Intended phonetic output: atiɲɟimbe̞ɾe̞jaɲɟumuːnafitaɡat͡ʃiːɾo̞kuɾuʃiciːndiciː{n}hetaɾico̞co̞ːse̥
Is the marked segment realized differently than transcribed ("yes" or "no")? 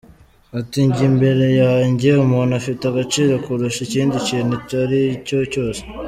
no